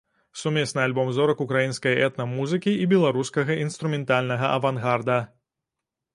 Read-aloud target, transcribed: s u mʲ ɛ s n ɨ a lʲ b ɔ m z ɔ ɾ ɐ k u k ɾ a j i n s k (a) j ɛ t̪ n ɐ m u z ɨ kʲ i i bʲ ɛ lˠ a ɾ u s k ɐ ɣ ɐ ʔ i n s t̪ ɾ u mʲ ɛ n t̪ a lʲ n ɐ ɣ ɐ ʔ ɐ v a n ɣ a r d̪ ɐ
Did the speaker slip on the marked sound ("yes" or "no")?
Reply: yes